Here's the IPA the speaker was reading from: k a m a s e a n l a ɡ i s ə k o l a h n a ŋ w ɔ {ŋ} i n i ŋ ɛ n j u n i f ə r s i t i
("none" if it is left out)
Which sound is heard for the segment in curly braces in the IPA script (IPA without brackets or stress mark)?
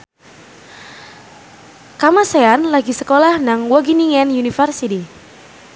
ɡ